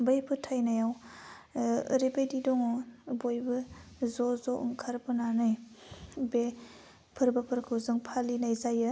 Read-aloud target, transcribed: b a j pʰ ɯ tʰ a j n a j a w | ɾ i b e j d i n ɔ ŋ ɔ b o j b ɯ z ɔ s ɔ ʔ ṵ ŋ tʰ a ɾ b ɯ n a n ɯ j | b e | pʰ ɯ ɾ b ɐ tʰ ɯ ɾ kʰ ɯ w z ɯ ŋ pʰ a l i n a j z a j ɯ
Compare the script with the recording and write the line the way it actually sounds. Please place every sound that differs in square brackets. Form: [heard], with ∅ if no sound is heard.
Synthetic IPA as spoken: b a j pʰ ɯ tʰ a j n a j a w | ɾ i b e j d i [d] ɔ ŋ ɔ b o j b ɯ z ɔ [z] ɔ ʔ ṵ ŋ [kʰ] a ɾ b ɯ n a n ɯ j | b e | pʰ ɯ ɾ b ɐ [pʰ] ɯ ɾ kʰ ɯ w z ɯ ŋ pʰ a l i n a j z a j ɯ